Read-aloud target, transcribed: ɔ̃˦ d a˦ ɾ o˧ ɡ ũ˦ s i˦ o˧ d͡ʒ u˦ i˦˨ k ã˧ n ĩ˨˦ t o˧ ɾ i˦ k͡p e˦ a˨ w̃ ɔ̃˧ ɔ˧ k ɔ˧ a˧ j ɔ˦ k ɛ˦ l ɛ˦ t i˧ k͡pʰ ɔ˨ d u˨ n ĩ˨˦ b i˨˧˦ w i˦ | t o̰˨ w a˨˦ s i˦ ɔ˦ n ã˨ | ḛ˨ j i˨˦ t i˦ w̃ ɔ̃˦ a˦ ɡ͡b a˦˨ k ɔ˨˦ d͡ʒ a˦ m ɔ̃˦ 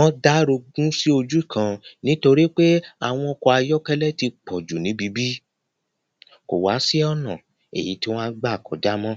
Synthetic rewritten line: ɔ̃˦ d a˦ ɾ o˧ ɡ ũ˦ s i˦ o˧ d͡ʒ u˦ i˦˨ k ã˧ n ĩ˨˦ t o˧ ɾ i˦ k͡p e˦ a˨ w̃ ɔ̃˧ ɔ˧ k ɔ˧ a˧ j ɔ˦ k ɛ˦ l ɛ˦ t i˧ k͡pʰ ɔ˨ d͡ʒ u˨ n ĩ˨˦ b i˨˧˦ b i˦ | k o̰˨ w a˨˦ s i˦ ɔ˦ n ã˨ | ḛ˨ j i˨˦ t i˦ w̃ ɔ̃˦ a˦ ɡ͡b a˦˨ k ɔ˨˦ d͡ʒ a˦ m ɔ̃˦